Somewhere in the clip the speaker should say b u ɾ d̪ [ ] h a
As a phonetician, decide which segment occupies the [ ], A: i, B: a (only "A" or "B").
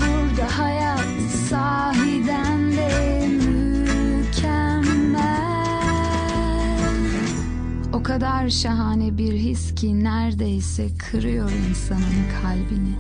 B